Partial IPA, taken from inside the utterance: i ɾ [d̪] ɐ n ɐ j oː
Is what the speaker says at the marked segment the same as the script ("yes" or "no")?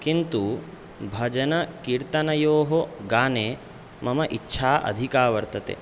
no